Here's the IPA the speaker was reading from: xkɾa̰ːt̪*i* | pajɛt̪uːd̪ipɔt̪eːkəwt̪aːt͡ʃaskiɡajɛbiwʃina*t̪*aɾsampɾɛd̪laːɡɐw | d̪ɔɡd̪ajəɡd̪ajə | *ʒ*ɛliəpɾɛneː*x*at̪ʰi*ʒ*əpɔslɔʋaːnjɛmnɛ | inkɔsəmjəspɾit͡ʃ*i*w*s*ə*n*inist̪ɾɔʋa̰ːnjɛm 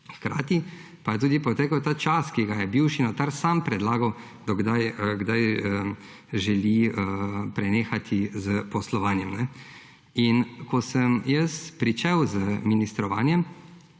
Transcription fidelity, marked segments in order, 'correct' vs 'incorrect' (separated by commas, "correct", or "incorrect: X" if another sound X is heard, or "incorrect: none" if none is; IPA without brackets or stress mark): correct, correct, correct, correct, incorrect: z, incorrect: ɛ, incorrect: z, incorrect: m